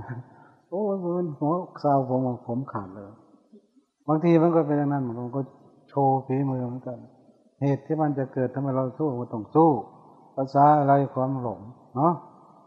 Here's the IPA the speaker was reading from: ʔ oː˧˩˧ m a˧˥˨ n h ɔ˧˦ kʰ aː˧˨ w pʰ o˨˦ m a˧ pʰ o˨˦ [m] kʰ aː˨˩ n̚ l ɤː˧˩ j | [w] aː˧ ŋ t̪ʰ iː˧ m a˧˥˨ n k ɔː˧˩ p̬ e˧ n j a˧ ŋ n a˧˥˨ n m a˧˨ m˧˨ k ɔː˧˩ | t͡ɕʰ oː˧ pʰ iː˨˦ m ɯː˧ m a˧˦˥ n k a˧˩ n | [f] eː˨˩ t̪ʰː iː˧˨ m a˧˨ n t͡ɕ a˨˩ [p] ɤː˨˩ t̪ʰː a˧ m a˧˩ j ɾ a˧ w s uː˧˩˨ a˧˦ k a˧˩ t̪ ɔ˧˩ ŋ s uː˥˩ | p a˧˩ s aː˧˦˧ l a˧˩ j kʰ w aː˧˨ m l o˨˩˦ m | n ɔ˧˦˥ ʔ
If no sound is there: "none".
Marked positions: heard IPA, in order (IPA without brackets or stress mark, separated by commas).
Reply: m, b, h, k